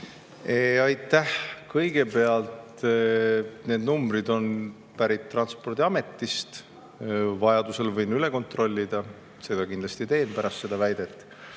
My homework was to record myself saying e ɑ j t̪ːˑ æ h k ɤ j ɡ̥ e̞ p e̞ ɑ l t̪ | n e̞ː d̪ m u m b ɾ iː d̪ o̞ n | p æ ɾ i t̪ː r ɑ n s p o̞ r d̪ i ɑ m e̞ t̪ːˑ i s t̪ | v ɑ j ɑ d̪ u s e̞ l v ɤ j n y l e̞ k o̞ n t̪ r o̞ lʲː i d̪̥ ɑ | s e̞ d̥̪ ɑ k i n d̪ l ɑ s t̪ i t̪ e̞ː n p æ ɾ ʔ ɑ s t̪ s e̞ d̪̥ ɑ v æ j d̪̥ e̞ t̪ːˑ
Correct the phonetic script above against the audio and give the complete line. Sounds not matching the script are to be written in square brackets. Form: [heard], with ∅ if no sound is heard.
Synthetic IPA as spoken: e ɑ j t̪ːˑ æ h k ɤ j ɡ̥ e̞ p e̞ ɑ l t̪ | n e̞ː d̪ [n] u m b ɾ [i] d̪ o̞ n | p æ ɾ i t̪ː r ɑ n s p o̞ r d̪ i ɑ m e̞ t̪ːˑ i s t̪ | v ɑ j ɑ d̪ u s e̞ l v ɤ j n y l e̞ k o̞ n t̪ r o̞ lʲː i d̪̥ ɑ | s e̞ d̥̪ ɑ k i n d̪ l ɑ s t̪ i t̪ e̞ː n p æ ɾ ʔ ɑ s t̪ s e̞ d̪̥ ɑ v æ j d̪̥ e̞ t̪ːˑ

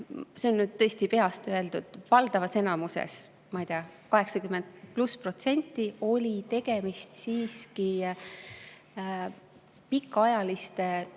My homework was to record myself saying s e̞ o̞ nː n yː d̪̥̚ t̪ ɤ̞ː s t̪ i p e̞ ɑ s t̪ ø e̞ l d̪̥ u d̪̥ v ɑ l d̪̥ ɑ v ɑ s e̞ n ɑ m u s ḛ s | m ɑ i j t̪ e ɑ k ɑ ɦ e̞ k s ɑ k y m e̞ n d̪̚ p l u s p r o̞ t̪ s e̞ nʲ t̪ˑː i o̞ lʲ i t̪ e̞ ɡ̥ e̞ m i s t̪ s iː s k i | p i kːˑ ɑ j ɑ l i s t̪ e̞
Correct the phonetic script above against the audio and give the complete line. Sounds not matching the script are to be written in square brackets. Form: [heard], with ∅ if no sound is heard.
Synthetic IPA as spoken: s e̞ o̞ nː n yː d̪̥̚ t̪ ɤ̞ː s t̪ i p e̞ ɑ s t̪ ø e̞ l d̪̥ u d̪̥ v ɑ l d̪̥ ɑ v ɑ s e̞ n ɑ m u s ḛ s | m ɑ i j t̪ e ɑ k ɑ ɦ e̞ k s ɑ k y m e̞ n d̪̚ p l u s p r o̞ t̪ s e̞ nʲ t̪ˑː i o̞ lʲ i t̪ e̞ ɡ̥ e̞ m i s t̪ s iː s k i | p i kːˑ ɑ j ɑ l i s t̪ e̞

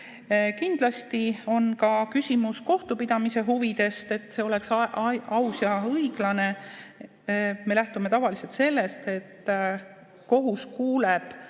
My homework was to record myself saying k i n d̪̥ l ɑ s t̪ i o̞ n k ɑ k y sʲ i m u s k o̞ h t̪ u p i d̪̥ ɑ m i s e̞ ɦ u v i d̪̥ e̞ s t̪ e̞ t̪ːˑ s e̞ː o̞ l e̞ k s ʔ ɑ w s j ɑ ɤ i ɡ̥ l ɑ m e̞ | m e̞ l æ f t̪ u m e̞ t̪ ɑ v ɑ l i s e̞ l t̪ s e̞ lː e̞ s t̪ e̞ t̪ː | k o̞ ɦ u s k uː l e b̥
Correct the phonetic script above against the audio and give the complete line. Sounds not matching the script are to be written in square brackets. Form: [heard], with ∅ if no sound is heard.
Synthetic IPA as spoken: k i n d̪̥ l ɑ s t̪ i o̞ n k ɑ k y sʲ i m u s k o̞ h t̪ u p i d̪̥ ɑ m i s e̞ ɦ u v i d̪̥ e̞ s t̪ e̞ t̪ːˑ s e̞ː o̞ l e̞ k s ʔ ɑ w s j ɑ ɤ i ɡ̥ l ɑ [n] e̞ | m e̞ l æ [h] t̪ u m e̞ t̪ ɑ v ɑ l i s e̞ l t̪ s e̞ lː e̞ s t̪ e̞ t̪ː | k o̞ ɦ u s k uː l e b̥

